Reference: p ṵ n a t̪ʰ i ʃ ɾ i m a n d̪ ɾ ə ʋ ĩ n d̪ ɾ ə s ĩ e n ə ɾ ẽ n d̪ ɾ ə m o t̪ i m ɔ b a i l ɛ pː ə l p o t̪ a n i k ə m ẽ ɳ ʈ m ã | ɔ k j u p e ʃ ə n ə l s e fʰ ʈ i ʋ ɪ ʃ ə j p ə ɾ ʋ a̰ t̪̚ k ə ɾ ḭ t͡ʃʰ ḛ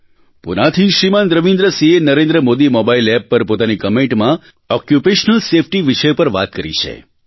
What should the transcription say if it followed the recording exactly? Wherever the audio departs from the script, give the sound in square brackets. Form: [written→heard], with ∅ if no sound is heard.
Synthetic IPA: p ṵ n a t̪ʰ i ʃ ɾ i m a n d̪ ɾ ə ʋ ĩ n d̪ ɾ ə s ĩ e n ə ɾ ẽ n d̪ ɾ ə m o [t̪→d̪] i m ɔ b a i l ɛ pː ə [l→ɾ] p o t̪ a n i k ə m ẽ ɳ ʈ m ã | ɔ k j u p e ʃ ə n ə l s e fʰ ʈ i ʋ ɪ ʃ ə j p ə ɾ ʋ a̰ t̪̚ k ə ɾ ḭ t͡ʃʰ ḛ

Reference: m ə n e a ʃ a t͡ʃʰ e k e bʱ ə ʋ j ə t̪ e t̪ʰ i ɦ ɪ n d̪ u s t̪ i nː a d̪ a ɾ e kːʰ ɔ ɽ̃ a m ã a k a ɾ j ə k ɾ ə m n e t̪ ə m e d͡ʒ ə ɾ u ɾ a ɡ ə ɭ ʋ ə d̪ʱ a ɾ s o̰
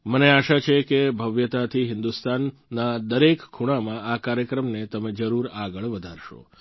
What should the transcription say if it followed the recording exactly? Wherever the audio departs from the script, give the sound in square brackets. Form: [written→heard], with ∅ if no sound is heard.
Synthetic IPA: m ə n e a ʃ a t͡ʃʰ e k e bʱ ə ʋ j ə t̪ [e→a] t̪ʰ i ɦ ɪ n d̪ u s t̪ [i→a] nː a d̪ [a→ə] ɾ e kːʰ [ɔ→u] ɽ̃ a m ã a k a ɾ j ə k ɾ ə m n e t̪ ə m e d͡ʒ ə ɾ u ɾ a ɡ ə ɭ ʋ ə d̪ʱ a ɾ [s→ʃ] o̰

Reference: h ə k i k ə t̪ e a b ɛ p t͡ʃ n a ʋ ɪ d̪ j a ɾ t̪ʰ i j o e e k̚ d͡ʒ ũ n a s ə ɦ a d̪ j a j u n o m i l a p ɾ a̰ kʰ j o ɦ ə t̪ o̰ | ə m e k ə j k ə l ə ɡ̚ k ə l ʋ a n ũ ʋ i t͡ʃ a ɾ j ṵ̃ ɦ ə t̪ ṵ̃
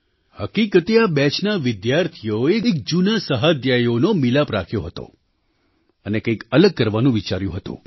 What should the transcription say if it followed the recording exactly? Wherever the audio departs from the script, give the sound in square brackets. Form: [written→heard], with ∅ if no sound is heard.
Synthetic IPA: h ə k i k ə t̪ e a b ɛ [p→∅] t͡ʃ n a ʋ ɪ d̪ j a ɾ t̪ʰ i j o e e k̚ d͡ʒ [ũ→u] n a s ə ɦ a d̪ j a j [u→o] n o m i l a p ɾ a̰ kʰ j o ɦ ə t̪ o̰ | ə [m→n] e k ə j k ə l ə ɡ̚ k ə [l→ɾ] ʋ a n ũ ʋ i t͡ʃ a ɾ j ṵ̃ ɦ ə t̪ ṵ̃

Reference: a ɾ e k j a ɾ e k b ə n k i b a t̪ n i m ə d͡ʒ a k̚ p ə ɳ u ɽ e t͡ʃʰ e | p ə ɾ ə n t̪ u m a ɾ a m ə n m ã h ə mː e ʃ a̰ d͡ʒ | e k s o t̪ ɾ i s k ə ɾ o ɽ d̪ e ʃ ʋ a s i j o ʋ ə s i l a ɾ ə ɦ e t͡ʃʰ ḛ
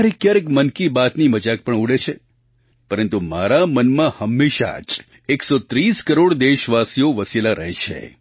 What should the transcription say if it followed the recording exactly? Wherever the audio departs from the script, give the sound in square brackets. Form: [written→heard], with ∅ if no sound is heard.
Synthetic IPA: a ɾ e k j a ɾ e k [b→m] ə n k i b a t̪ n i m ə d͡ʒ a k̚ p ə ɳ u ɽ e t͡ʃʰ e | p ə ɾ ə n t̪ u m a ɾ a m ə n m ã h ə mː e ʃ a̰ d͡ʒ | e k s o t̪ ɾ i s k ə ɾ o ɽ d̪ e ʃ ʋ a s i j o ʋ ə s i l a ɾ ə ɦ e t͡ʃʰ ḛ

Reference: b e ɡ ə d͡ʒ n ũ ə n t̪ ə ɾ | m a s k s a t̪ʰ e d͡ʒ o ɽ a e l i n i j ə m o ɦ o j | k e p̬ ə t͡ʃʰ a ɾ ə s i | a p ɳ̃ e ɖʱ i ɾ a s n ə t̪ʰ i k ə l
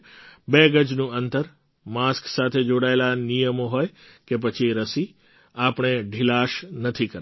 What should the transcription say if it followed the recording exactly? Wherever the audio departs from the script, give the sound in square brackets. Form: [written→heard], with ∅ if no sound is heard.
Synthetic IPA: b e ɡ ə d͡ʒ n ũ ə n t̪ ə ɾ | m a s k s a t̪ʰ e d͡ʒ o ɽ a e l [i→a] n i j ə m o ɦ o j | k e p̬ ə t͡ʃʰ [a→i] ɾ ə s i | a p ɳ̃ e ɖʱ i [ɾ→l] a [s→ʃ] n ə t̪ʰ i k ə [l→ɾ]

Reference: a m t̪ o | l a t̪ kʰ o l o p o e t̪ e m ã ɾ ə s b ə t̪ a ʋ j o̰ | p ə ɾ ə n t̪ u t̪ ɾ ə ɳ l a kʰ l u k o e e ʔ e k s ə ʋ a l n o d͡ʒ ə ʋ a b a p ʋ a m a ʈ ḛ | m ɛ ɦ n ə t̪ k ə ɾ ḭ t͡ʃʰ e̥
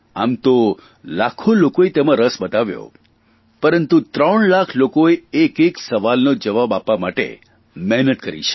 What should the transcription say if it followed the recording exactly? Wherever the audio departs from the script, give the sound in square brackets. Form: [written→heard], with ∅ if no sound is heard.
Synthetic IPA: a m t̪ o | l a [t̪→∅] kʰ o l o [p→k] o e t̪ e m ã ɾ ə s b ə t̪ a ʋ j o̰ | p ə ɾ ə n t̪ u t̪ ɾ ə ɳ l a kʰ l [u→o] k o e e [ʔ→k] e k s ə ʋ a l n o d͡ʒ ə ʋ a b a p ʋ a m a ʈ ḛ | m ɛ ɦ n ə t̪ k ə ɾ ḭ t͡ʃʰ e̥

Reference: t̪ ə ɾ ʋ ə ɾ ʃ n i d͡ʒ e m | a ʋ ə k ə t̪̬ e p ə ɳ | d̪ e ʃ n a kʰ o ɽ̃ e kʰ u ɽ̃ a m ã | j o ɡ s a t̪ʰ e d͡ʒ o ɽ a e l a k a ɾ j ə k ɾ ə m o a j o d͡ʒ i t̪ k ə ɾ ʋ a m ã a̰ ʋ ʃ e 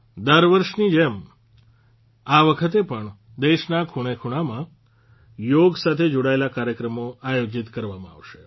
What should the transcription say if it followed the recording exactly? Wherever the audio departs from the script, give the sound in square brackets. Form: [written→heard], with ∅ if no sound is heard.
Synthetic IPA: [t̪→d̪] ə ɾ ʋ ə ɾ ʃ n i d͡ʒ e m | a ʋ ə [k→kʰ] ə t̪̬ e p ə ɳ | d̪ e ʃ n a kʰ [o→u] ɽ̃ e kʰ u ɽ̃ a m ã | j o ɡ s a t̪ʰ e d͡ʒ o ɽ a e l a k a ɾ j ə k ɾ ə m o a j o d͡ʒ i t̪ k ə ɾ ʋ a m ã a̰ ʋ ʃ e

